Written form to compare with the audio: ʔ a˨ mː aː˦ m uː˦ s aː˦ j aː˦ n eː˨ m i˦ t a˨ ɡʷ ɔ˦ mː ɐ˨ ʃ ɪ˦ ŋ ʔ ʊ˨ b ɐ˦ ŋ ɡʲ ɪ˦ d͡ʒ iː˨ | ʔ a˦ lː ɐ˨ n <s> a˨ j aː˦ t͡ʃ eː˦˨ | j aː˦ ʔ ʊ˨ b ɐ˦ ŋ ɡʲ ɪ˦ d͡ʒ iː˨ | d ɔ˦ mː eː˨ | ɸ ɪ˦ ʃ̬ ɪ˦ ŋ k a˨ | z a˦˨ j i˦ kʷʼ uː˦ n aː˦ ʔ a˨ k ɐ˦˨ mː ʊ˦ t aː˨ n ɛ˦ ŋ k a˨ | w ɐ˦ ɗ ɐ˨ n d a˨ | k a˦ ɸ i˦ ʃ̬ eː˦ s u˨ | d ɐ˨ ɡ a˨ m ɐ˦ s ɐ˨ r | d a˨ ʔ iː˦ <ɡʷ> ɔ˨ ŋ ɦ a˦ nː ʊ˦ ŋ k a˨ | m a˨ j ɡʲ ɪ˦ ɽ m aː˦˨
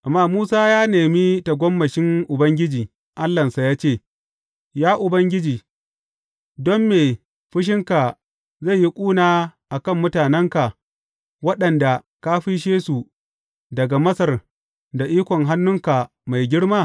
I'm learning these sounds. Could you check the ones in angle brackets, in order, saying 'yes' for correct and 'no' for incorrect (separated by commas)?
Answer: yes, no